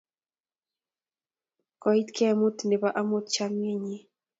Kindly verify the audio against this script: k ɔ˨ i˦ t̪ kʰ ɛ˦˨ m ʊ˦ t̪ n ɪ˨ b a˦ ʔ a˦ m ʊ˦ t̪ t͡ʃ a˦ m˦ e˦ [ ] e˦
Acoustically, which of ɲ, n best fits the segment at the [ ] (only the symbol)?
ɲ